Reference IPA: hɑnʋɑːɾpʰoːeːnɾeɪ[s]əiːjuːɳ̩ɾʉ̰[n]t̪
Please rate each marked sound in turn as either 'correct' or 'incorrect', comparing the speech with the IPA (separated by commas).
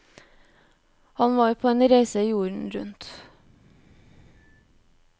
correct, correct